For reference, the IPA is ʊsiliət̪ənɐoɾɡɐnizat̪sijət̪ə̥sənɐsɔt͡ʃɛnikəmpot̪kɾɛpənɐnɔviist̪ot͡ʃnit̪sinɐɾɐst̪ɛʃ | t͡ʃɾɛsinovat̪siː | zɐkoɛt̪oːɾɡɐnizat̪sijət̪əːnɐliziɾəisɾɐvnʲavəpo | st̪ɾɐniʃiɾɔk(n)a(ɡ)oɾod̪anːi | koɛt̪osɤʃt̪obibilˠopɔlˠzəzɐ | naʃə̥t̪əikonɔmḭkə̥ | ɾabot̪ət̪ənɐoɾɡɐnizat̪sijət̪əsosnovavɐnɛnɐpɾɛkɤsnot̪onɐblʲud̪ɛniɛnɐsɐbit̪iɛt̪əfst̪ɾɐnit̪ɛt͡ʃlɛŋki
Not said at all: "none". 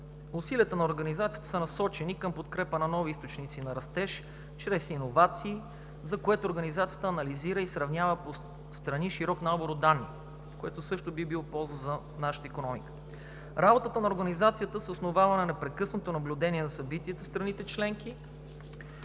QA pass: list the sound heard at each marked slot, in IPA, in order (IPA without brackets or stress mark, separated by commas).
n, b